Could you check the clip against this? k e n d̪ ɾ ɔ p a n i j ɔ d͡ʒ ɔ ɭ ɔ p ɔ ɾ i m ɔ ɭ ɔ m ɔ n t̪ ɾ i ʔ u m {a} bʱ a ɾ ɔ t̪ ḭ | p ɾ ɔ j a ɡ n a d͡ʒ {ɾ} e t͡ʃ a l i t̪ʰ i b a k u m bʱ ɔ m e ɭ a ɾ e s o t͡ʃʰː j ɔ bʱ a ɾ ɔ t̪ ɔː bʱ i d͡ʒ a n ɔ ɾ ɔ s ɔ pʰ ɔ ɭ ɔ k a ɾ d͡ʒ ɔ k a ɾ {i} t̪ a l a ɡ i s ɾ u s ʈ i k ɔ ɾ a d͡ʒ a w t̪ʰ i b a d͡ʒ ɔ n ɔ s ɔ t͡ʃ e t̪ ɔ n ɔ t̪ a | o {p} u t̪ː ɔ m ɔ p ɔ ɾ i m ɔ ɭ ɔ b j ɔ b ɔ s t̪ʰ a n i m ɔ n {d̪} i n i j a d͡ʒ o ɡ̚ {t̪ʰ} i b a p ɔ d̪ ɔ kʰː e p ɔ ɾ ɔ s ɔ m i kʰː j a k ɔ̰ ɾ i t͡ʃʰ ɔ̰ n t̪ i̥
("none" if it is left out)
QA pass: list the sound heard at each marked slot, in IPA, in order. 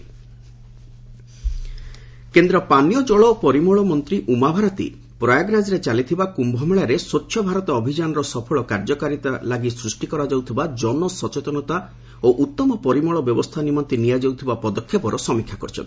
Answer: a, ɾ, i, ʔ, t̪, t̪ʰ

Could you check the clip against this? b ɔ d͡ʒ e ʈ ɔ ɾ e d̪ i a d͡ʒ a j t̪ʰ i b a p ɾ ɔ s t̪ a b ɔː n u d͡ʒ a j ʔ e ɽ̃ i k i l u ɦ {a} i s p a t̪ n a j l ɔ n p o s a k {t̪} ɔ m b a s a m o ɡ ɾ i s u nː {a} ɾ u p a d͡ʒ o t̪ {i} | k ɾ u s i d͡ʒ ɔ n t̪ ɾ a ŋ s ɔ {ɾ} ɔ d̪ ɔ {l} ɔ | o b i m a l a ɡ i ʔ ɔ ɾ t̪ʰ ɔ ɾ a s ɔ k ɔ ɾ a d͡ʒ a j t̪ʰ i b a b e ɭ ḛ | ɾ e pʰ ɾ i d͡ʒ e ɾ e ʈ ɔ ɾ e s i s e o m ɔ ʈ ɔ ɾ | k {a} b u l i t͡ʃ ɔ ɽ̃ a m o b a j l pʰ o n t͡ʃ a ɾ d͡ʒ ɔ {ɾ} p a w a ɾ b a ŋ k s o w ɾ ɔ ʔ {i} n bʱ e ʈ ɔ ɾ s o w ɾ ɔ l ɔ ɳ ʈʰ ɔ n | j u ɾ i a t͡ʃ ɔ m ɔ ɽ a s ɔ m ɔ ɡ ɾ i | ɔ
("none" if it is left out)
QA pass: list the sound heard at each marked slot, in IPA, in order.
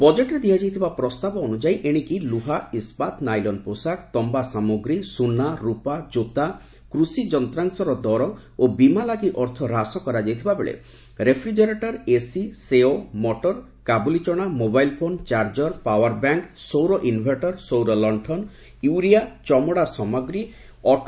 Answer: a, t̪, a, a, ɾ, ɾ, a, ɾ, i

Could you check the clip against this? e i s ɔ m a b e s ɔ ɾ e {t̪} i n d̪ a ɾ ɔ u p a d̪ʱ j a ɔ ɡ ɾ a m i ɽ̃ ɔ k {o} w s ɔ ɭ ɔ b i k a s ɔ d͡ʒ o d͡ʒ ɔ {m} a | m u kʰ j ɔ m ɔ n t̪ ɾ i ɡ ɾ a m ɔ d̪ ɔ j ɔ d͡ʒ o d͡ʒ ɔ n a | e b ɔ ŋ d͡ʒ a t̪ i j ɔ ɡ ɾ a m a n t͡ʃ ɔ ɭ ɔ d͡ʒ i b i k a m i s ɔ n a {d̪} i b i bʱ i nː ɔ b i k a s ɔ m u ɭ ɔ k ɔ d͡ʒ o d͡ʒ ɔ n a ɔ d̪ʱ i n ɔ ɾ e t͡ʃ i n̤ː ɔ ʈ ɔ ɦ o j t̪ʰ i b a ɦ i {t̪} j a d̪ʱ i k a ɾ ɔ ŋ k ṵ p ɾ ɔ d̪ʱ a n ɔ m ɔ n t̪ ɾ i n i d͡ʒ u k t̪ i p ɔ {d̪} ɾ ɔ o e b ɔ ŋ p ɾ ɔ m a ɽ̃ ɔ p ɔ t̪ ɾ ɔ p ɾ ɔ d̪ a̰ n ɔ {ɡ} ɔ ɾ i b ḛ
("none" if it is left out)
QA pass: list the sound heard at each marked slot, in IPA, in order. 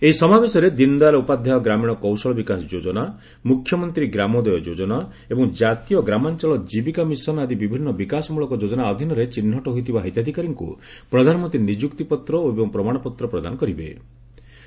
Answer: d̪, ɔ, n, d̪, t̪, t̪, k

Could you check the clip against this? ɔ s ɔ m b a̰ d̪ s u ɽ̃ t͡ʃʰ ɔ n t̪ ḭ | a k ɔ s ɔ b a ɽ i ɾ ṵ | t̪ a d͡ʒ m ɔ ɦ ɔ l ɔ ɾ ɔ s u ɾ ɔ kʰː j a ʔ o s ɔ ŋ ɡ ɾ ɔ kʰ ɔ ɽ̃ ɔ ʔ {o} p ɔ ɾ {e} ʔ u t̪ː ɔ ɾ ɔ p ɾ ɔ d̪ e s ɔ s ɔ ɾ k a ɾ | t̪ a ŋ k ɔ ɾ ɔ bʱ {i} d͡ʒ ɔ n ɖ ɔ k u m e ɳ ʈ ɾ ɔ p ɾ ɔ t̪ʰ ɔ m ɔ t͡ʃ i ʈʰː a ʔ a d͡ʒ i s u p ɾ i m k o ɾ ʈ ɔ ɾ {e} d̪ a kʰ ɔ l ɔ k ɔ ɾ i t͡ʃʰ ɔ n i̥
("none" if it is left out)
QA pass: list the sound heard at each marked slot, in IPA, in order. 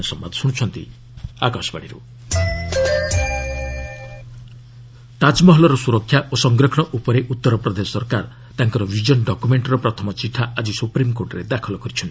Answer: u, e, i, e

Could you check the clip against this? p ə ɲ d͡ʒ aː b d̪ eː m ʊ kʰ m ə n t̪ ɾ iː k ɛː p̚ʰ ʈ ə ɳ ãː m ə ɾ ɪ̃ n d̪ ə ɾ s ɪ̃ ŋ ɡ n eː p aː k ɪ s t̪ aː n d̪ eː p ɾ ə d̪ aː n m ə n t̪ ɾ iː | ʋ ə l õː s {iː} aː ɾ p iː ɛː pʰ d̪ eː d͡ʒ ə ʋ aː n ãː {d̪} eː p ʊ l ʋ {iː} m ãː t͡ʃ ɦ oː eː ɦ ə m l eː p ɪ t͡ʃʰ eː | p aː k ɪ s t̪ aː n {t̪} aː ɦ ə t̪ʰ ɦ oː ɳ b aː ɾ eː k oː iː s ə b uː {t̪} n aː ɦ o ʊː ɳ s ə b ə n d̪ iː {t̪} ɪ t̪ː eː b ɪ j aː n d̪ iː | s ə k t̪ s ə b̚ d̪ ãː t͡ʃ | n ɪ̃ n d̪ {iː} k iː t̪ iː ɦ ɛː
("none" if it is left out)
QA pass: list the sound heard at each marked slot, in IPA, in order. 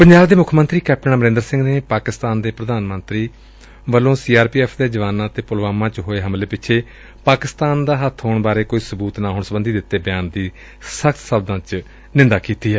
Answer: iː, t̪, aː, d̪, t̪, d̪, aː

